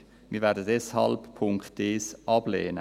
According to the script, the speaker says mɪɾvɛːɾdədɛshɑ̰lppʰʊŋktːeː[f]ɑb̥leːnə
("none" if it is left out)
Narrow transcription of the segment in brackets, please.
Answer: s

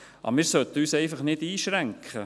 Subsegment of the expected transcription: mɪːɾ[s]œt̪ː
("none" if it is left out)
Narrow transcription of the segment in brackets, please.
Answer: s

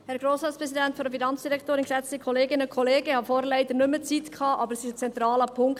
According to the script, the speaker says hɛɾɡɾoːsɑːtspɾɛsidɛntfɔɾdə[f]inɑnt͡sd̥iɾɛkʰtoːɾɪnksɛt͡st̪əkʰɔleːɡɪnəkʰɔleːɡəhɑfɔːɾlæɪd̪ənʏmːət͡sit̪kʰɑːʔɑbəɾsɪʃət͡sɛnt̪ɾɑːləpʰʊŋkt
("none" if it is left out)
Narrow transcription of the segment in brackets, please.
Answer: f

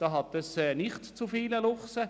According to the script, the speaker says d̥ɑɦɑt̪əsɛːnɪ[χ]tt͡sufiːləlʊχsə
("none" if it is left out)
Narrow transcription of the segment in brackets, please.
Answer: χ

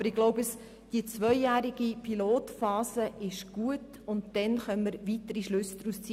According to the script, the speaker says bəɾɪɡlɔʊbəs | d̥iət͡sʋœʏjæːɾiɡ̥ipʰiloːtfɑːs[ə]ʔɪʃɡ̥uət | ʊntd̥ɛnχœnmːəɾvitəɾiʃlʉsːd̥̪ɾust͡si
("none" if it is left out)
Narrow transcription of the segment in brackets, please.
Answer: ə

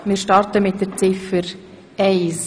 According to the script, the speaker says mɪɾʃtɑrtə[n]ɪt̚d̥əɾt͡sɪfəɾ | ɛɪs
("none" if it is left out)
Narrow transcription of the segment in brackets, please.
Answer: m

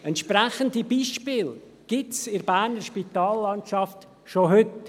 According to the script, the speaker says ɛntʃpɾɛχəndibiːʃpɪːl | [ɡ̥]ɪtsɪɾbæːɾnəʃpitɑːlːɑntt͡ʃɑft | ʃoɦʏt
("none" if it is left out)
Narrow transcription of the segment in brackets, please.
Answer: ɡ̥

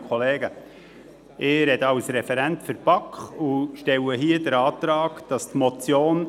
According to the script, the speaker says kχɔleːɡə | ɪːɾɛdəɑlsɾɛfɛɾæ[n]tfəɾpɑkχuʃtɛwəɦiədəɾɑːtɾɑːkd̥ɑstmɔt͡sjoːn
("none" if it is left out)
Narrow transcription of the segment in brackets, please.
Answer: n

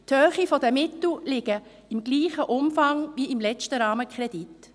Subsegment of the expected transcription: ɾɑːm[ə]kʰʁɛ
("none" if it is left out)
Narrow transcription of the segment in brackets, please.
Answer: ə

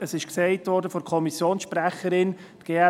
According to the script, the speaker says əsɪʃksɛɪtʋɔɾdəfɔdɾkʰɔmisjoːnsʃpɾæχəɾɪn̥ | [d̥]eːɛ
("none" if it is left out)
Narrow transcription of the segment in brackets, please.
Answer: ɡ̥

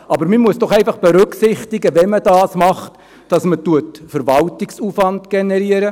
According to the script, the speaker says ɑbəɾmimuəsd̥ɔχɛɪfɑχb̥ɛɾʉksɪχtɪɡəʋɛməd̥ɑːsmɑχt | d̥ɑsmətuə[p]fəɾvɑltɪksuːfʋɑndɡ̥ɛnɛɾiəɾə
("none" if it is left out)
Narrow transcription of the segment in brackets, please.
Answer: t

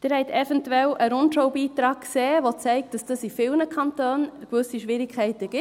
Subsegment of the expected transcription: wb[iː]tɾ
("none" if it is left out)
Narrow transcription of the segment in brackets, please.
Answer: iː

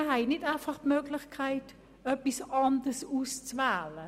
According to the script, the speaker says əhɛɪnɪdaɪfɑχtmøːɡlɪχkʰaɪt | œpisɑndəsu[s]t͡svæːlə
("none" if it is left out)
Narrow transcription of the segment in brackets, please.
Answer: s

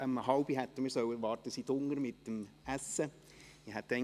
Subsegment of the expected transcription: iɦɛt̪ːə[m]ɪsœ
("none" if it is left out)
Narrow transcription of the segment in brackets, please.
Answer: m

